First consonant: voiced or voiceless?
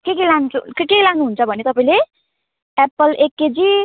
voiceless